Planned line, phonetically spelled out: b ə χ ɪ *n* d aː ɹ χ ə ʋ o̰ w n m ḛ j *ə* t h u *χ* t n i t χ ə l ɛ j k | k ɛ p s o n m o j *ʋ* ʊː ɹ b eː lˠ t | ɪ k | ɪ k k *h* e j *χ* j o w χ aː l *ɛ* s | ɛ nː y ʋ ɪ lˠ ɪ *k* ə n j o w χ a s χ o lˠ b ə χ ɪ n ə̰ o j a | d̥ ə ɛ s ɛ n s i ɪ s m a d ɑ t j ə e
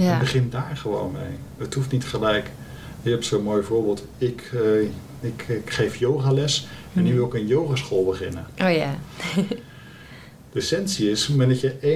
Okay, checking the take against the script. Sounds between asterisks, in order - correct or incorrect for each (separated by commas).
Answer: correct, correct, incorrect, incorrect, incorrect, incorrect, correct, correct